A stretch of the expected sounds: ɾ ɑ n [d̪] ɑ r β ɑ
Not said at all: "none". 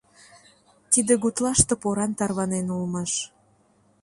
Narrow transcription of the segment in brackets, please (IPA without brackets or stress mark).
t̪